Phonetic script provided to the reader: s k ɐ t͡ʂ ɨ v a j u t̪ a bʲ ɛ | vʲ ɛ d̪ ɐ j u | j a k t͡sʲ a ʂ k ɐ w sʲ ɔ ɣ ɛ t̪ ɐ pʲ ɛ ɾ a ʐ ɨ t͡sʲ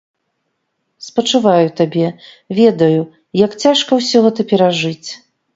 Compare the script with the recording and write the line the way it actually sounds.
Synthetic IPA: s p ɐ t͡ʂ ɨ v a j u t̪ a bʲ ɛ | vʲ ɛ d̪ ɐ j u | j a k t͡sʲ a ʂ k ɐ w sʲ ɔ ɣ ɛ t̪ ɐ pʲ ɛ ɾ a ʐ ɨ t͡sʲ